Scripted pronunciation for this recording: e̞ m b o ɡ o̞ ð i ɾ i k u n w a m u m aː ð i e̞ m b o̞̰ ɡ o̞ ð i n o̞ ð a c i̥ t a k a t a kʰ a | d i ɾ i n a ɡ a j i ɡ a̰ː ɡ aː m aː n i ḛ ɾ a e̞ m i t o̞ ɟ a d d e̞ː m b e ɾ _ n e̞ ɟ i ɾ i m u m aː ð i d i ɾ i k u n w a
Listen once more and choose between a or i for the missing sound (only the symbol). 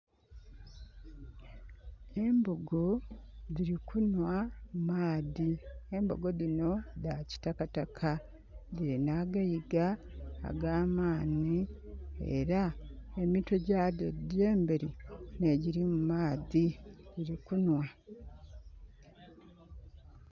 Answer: i